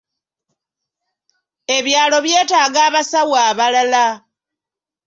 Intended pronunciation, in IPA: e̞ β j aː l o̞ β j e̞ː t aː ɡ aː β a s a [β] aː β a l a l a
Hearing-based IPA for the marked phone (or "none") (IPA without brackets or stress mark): w